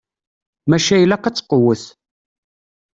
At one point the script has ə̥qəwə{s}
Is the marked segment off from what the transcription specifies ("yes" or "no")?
yes